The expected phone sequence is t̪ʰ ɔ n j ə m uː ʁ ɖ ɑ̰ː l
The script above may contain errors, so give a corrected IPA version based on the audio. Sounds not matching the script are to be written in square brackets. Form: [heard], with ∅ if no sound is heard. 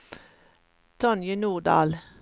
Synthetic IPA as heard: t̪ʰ ɔ n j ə [n] uː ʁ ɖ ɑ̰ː l